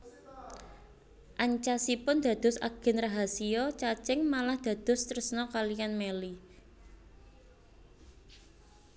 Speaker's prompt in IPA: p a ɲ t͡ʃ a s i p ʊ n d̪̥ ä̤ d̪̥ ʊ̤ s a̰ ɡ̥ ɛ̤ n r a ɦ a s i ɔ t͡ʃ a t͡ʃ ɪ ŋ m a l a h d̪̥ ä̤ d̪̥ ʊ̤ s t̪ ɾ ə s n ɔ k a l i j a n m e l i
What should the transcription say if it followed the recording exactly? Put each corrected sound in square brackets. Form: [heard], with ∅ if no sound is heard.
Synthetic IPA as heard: [ʔ] a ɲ t͡ʃ a s i p ʊ n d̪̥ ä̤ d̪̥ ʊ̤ s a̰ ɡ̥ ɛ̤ n r a ɦ a s i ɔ t͡ʃ a t͡ʃ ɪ ŋ m a l a h d̪̥ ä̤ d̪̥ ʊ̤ s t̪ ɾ ə s n ɔ k a l i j a n m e l i